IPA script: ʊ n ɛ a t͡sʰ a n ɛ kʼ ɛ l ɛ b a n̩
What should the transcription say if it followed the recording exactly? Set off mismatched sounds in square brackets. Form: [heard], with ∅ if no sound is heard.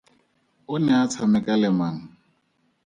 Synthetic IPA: ʊ n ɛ a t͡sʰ a [m] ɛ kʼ [a] l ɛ [m] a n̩